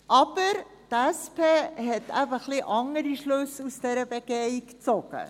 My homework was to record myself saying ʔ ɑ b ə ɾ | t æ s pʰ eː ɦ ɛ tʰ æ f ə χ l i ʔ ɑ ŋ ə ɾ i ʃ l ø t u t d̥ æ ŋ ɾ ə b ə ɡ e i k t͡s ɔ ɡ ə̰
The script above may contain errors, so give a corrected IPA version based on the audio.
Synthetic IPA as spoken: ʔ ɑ b ə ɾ | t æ s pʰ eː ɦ ɛ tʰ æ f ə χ l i ʔ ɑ ŋ ə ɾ i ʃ l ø s u s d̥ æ ɾ ə b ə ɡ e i k t͡s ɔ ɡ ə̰